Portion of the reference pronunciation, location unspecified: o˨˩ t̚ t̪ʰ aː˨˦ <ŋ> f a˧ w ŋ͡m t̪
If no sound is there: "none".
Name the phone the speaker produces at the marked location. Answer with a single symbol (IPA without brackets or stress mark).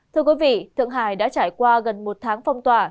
ŋ